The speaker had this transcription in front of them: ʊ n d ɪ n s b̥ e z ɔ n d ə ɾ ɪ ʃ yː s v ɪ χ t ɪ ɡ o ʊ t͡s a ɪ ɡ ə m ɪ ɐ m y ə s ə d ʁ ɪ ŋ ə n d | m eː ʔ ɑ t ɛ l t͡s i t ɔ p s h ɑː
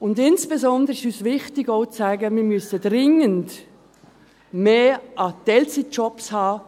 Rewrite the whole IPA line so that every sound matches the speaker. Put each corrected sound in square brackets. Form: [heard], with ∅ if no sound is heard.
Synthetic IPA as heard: ʊ n d ɪ n s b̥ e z ɔ n d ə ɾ ɪ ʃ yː s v ɪ χ t ɪ ɡ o ʊ t͡s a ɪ ɡ ə m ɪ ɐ m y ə s ə d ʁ ɪ ŋ ə n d | m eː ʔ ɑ t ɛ l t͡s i [t͡ʃ] ɔ p s h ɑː